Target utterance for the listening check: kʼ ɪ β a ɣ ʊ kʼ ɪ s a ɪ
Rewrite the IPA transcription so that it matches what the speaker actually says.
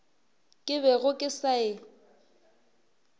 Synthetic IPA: kʼ ɪ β ɛ ɣ ʊ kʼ ɪ s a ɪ